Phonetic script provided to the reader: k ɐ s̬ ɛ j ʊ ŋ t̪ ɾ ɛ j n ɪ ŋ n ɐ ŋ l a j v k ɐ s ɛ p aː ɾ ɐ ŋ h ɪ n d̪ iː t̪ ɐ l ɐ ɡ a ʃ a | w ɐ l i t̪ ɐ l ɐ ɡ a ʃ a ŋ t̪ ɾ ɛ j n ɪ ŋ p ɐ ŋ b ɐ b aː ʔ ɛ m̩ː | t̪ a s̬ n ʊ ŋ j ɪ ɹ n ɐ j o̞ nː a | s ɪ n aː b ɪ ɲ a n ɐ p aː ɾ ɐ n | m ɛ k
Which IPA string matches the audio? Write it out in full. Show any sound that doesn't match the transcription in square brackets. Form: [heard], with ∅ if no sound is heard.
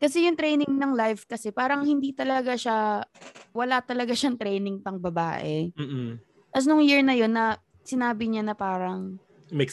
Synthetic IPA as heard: k ɐ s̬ ɛ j ʊ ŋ t̪ ɾ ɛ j n ɪ ŋ n ɐ ŋ l a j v k ɐ s ɛ p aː ɾ ɐ ŋ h ɪ n d̪ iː t̪ ɐ l ɐ ɡ a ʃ a | w ɐ l [a] t̪ ɐ l ɐ ɡ a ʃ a ŋ t̪ ɾ ɛ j n ɪ ŋ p ɐ ŋ b ɐ b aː ʔ ɛ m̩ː | t̪ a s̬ n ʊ ŋ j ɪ ɹ n ɐ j o̞ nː [ɐ] | s ɪ n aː b ɪ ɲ a n ɐ p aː ɾ ɐ [ŋ] | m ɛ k